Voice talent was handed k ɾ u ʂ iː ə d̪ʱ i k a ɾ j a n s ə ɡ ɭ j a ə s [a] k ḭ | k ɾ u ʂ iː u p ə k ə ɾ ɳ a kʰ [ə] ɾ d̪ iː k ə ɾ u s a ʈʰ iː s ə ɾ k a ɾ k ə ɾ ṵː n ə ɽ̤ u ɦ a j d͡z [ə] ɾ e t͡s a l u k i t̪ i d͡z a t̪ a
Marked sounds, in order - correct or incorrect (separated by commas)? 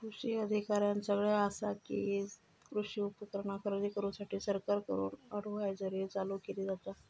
correct, correct, correct